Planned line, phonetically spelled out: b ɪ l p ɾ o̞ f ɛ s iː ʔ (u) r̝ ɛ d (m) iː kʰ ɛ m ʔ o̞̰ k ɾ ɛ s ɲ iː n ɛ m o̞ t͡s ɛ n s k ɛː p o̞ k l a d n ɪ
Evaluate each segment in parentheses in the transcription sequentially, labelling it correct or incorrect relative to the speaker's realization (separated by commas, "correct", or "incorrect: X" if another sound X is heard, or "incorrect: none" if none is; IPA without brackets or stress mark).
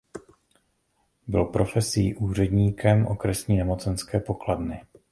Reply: incorrect: uː, incorrect: ɲ